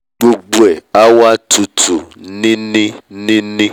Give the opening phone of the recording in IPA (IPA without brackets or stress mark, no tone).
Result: ɡ͡b